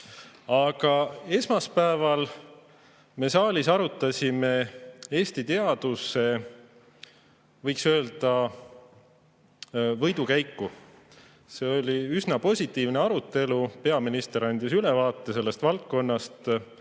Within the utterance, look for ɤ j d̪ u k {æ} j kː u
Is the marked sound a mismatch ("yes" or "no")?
no